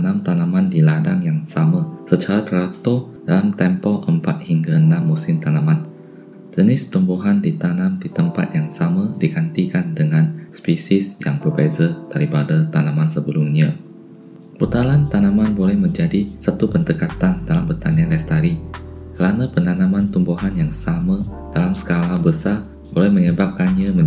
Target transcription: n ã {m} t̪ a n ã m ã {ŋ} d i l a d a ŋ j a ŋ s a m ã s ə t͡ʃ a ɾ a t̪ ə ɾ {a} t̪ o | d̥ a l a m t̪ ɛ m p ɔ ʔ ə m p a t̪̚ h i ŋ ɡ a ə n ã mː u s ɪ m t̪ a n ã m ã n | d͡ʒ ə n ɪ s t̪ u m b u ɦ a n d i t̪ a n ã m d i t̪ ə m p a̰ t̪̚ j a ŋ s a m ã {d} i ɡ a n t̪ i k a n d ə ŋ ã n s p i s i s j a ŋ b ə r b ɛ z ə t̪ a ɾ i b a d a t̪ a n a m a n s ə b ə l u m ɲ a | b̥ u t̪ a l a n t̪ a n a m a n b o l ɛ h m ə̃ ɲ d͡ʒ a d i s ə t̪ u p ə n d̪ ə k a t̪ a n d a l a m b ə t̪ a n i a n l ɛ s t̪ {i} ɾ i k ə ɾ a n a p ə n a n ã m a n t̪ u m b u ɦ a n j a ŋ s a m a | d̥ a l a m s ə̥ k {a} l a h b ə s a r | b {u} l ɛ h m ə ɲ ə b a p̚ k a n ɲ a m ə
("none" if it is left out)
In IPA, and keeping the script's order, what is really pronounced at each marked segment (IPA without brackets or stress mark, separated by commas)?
m, n, a, d, a, a, o